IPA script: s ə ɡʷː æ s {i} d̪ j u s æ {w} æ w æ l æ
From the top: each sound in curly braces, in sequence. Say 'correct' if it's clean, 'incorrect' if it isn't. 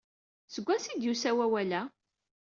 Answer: correct, correct

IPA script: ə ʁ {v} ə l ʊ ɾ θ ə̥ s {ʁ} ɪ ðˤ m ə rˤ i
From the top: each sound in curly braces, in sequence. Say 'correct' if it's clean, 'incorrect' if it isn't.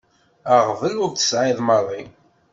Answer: correct, incorrect: ʕ

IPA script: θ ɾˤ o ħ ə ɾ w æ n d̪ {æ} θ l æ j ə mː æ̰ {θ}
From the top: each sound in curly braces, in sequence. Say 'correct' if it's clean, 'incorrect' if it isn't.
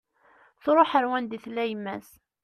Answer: incorrect: i, incorrect: s

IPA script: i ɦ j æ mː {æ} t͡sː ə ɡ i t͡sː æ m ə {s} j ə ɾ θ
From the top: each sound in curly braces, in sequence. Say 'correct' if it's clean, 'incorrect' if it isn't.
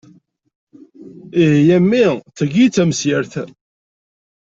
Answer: incorrect: i, correct

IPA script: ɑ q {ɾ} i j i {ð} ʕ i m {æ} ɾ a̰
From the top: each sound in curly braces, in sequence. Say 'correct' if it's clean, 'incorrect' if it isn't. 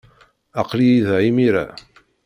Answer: incorrect: l, correct, incorrect: i

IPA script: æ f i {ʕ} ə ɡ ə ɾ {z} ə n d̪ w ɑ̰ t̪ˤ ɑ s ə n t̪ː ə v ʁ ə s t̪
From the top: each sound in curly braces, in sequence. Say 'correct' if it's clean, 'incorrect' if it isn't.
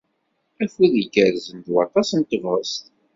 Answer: incorrect: ð, correct

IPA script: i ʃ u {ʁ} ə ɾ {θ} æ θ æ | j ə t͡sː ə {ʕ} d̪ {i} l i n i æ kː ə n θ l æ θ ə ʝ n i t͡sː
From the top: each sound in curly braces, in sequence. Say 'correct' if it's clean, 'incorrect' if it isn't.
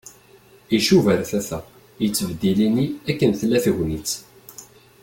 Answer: incorrect: v, correct, incorrect: v, correct

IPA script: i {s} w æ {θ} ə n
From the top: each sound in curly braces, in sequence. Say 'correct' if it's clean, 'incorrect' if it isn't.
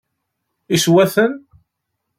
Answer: correct, correct

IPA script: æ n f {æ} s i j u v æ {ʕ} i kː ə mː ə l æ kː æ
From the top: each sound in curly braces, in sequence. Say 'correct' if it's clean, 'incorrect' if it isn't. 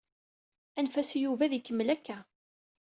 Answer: correct, incorrect: ð

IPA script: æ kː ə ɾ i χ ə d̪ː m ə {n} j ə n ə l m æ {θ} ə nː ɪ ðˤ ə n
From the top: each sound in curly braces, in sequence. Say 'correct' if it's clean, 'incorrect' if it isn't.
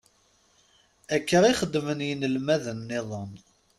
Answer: correct, incorrect: ð

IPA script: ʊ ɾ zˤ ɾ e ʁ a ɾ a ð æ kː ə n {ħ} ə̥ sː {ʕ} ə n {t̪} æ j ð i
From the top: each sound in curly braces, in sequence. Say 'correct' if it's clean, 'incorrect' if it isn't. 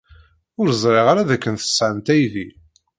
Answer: incorrect: θ, correct, correct

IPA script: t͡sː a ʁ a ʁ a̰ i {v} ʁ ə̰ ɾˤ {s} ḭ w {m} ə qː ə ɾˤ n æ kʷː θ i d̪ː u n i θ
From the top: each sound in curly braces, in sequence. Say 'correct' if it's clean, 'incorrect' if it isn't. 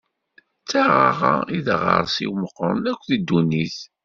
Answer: incorrect: ð, correct, correct

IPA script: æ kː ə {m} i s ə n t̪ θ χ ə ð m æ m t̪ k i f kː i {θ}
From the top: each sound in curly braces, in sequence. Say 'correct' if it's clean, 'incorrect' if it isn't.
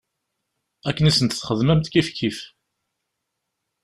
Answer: incorrect: n, incorrect: f

